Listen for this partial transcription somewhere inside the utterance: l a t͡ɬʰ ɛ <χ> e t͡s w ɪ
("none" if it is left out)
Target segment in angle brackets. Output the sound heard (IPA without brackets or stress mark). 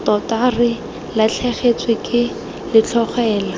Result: χ